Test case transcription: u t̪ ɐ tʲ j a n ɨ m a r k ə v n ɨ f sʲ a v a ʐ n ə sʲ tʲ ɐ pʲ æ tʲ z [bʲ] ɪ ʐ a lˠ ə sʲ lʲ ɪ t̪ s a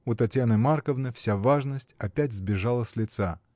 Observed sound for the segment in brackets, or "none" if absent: bʲ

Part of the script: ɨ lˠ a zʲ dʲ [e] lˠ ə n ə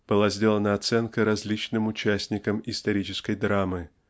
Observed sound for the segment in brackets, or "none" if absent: e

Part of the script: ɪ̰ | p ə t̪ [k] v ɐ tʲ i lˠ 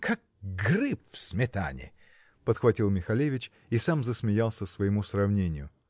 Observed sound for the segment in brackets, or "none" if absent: x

